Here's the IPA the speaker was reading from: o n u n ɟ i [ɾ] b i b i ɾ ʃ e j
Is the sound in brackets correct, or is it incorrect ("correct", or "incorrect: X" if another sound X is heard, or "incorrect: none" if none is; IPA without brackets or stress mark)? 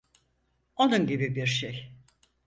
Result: incorrect: none